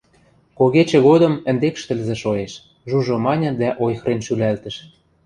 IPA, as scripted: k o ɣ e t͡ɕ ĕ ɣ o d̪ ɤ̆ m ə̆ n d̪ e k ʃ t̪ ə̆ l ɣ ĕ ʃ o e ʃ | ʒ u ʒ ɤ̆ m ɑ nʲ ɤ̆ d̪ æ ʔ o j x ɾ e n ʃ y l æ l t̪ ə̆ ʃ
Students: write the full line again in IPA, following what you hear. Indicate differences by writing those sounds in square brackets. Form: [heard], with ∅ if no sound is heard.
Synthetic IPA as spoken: k o ɣ e t͡ɕ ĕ ɣ o d̪ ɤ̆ m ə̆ n d̪ e k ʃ t̪ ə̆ l [z] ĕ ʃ o e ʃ | ʒ u ʒ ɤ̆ m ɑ nʲ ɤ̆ d̪ æ ʔ o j x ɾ e n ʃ y l æ l t̪ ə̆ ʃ